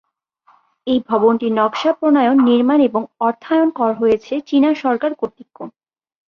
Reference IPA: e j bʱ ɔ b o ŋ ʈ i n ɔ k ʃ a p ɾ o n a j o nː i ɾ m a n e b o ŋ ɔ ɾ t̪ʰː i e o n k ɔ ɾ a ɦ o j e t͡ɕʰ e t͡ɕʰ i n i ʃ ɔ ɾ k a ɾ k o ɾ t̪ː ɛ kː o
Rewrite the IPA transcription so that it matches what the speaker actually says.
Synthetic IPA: e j bʱ ɔ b o n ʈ i n ɔ k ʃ a p ɾ o n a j o nː i ɾ m a n e b o ŋ ɔ ɾ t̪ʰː a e o n k ɔ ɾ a ɦ o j e t͡ɕʰ e t͡ɕ i n a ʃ ɔ ɾ k a ɾ k o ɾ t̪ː i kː o